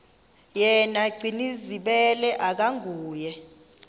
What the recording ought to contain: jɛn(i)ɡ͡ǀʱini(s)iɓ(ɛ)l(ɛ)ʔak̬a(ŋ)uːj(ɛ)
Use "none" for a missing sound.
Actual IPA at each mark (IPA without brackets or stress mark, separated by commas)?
a, z, ɛ, ɛ, ŋ, ɛ